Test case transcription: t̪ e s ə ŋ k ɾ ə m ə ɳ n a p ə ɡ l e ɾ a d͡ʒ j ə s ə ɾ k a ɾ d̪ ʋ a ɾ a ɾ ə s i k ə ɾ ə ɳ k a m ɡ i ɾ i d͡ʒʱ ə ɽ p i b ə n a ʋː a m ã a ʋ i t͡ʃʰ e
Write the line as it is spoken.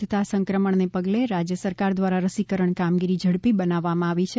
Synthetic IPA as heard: t̪ a s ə ŋ k ɾ ə m ə ɳ n e p ə ɡ l e ɾ a d͡ʒ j ə s ə ɾ k a ɾ d̪ ʋ a ɾ a ɾ ə s i k ə ɾ ə ɳ k a m ɡ i ɾ i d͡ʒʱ ə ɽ p i b ə n a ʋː a m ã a ʋ i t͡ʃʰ e